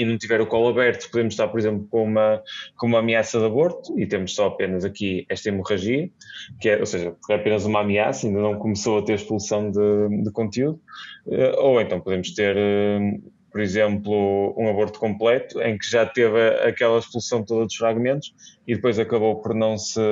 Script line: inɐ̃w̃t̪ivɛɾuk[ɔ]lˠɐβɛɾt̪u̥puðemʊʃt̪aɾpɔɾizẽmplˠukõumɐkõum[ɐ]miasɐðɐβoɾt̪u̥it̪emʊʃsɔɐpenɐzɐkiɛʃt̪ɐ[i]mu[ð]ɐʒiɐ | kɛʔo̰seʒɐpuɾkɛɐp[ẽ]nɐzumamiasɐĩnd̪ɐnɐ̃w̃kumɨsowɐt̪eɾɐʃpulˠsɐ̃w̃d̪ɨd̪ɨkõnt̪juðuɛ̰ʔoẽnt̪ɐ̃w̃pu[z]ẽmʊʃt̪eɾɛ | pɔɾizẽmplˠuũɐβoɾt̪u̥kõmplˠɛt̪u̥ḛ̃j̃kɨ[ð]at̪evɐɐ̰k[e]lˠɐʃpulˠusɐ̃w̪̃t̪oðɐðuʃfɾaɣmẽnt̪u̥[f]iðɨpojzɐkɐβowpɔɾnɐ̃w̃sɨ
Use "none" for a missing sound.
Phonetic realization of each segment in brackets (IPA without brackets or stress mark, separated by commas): ɔ, a, i, ʁ, e, ð, ʒ, ɛ, ʃ